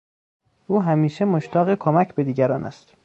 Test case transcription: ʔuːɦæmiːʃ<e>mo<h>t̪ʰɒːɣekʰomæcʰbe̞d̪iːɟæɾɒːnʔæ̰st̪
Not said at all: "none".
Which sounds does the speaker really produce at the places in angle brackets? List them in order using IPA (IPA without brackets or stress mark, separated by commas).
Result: e, ʃ